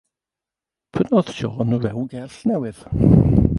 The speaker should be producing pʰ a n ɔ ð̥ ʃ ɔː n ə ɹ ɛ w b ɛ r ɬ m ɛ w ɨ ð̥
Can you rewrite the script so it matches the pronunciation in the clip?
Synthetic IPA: pʰ ə n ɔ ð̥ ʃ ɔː n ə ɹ ɛ w ɡ ɛ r ɬ n ɛ w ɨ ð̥